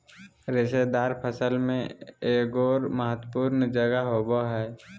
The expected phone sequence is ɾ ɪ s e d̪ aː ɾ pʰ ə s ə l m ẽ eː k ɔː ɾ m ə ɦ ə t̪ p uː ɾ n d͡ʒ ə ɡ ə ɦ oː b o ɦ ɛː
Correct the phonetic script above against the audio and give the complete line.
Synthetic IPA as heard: ɾ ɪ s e d̪ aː ɾ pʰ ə s ə l m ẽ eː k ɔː ɾ m ə ɦ ə t̪ p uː ɾ n d͡ʒ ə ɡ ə ɦ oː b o ɦ ɛː